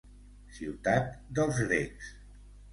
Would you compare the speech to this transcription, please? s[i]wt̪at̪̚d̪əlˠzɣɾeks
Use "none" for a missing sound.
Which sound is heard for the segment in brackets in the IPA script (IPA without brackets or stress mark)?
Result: i